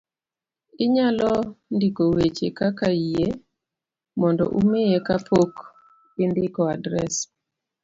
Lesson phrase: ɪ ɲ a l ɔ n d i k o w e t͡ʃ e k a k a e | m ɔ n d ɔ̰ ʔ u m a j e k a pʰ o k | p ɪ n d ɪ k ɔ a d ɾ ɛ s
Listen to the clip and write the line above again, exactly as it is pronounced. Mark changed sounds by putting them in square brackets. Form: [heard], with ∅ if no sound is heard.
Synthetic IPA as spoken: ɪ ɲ a l ɔ n d i k o w e t͡ʃ e k a k a e | m ɔ n d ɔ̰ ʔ u m [e] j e k a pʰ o k | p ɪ n d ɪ k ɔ a d ɾ ɛ s